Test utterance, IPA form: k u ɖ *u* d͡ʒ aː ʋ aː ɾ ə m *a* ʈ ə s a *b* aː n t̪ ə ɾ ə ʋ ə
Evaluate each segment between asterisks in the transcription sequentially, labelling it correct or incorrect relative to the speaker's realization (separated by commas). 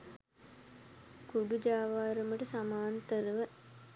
correct, incorrect, incorrect